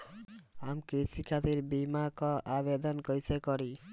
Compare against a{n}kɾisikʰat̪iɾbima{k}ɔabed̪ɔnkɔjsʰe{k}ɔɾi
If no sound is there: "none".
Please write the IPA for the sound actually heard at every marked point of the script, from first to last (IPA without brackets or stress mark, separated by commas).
m, k, k